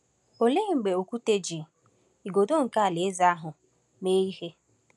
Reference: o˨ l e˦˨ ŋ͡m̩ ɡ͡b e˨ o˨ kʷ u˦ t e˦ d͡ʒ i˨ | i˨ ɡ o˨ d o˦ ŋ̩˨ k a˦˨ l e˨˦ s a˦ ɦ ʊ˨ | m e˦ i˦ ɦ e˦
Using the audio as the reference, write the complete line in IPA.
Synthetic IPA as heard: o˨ l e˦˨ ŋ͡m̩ ɡ͡b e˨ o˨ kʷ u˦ t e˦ d͡ʒ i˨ | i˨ ɡ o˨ d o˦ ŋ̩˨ k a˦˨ l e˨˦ z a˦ ɦ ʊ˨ | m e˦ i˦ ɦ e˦